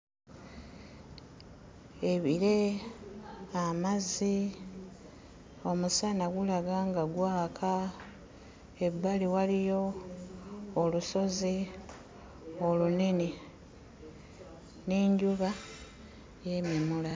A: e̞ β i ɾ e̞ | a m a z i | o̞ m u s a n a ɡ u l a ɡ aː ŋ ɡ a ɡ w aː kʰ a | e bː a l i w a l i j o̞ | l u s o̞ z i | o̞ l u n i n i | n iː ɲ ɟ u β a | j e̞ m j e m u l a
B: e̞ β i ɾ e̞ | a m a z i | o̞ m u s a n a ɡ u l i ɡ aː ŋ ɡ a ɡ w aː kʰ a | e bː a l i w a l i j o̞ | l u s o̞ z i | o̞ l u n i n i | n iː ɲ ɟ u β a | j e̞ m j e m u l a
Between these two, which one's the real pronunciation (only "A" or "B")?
A